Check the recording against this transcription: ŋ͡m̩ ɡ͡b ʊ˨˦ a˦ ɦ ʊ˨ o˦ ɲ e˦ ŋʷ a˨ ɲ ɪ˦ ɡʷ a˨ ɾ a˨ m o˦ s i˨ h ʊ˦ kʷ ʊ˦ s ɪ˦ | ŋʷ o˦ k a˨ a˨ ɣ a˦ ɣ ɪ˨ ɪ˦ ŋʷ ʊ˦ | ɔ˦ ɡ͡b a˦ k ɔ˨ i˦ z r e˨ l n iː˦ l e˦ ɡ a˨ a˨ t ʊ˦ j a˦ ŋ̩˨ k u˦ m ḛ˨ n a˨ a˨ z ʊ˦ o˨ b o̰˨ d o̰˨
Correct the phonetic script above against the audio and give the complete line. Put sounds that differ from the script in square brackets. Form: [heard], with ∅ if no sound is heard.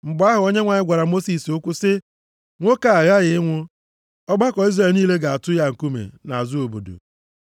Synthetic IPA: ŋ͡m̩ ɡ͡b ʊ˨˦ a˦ ɦ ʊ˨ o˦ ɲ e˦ ŋʷ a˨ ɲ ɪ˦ ɡʷ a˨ ɾ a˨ m o˦ s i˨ [s] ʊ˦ kʷ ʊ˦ s ɪ˦ | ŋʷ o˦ k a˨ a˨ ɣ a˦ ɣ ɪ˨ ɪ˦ ŋʷ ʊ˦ | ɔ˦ ɡ͡b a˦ k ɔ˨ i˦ z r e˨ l n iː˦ l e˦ ɡ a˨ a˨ t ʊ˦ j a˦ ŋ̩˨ k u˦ m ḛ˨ n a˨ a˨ z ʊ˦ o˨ b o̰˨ d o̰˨